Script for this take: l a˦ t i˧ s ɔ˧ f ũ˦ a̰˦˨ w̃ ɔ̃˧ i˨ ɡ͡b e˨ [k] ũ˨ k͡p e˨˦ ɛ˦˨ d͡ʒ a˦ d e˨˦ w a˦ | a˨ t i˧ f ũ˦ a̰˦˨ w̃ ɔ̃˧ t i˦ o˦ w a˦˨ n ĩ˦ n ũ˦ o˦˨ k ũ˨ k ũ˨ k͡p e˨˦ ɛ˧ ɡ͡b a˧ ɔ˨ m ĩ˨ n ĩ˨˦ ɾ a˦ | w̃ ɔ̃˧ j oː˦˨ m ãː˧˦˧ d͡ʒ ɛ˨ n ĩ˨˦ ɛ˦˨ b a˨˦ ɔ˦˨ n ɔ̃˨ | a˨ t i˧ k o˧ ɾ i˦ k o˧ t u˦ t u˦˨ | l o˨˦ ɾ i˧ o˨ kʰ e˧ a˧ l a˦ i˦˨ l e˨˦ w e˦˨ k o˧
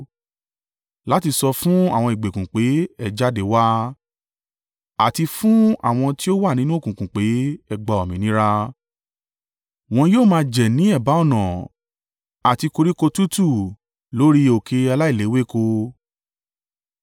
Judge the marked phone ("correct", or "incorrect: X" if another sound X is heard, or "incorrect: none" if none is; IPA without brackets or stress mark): correct